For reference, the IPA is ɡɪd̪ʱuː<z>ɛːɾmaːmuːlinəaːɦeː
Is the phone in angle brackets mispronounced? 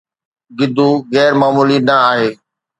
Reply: yes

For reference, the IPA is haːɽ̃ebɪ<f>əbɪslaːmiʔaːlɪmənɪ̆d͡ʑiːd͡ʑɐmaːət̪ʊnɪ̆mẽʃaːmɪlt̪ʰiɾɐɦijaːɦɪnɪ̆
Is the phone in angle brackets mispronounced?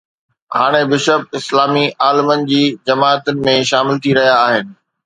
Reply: yes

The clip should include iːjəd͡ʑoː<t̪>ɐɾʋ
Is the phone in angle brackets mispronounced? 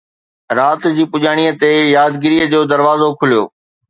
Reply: yes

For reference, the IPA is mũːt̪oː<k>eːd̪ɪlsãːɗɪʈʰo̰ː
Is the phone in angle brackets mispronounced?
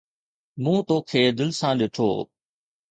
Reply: yes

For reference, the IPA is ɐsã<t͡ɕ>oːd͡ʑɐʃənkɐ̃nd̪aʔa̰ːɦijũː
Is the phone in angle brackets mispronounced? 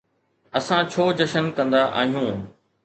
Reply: yes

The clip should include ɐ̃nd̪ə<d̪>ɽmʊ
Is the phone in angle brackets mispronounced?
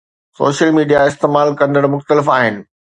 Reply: yes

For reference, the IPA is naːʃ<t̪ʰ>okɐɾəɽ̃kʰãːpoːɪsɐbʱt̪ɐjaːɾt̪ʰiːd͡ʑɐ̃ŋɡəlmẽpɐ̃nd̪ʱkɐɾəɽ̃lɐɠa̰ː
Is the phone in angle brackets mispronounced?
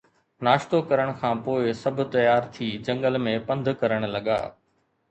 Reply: yes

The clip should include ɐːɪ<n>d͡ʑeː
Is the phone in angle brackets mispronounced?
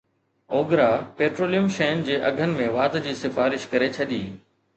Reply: no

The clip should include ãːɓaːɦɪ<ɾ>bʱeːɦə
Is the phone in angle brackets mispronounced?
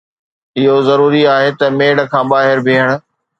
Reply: no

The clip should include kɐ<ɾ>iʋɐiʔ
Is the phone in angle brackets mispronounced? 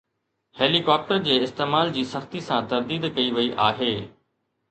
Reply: yes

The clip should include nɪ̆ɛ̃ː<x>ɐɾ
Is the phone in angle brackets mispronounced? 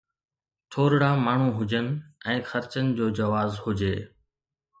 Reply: no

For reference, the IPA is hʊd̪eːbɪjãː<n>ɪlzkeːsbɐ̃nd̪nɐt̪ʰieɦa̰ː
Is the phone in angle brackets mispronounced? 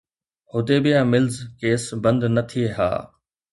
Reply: yes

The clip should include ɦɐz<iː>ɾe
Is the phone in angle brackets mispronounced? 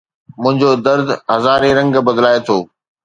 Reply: yes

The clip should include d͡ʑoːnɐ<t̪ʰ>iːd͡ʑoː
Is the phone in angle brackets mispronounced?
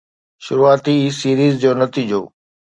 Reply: yes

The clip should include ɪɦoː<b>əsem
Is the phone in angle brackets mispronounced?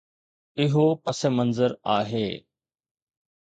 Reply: yes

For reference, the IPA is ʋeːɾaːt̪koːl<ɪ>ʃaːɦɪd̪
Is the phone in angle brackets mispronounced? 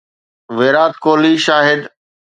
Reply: yes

